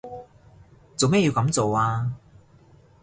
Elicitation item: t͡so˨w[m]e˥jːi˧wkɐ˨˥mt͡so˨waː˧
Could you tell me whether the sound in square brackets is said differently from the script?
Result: no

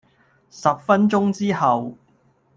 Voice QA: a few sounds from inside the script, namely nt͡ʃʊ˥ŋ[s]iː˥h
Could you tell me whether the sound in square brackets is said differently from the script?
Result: yes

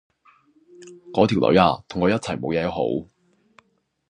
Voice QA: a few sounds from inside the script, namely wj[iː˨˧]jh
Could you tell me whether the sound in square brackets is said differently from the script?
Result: yes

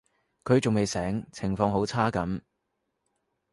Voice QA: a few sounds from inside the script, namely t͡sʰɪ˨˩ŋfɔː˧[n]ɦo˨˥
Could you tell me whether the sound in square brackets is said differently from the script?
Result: yes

